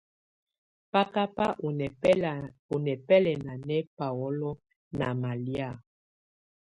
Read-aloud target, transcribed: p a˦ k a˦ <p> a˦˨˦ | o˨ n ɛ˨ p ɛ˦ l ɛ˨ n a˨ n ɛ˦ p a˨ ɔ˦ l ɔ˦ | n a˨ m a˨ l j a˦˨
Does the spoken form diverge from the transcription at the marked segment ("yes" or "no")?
no